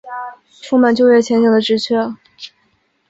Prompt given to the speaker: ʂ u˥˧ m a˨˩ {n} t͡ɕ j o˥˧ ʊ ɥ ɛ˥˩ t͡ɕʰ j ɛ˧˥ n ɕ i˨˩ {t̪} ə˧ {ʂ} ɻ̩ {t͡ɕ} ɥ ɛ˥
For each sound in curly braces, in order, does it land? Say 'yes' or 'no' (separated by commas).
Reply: yes, no, no, no